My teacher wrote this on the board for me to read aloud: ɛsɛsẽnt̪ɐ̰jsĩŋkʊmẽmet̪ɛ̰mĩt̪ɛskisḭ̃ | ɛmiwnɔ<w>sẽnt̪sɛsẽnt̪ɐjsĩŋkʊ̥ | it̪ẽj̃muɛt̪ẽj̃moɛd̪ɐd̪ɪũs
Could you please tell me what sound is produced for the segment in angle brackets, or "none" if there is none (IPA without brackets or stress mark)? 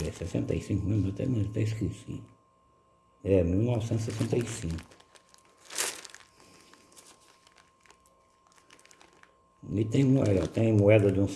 v